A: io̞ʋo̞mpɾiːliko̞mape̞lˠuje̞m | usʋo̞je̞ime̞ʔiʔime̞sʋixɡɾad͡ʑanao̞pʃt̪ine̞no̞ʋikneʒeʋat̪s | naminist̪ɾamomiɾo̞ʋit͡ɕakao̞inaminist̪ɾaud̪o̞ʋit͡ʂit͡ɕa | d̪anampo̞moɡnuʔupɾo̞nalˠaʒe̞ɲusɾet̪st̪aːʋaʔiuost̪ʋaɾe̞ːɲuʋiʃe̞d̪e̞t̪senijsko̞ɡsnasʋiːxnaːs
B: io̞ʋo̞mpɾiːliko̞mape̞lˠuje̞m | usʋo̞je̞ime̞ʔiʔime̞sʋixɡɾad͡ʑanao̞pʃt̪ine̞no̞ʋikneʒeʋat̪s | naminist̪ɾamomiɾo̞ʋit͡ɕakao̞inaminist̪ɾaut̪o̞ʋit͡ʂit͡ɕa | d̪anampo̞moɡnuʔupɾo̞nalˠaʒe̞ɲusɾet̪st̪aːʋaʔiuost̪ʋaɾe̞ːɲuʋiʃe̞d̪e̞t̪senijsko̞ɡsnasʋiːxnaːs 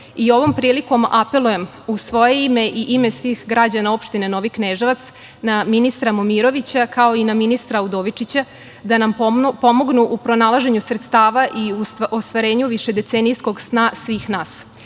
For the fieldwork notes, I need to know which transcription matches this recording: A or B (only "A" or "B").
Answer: A